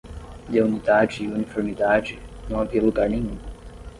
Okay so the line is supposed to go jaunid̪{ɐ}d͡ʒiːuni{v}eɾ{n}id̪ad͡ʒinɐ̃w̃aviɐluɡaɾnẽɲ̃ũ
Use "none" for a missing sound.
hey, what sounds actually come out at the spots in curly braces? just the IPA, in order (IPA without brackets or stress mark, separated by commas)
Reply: a, f, m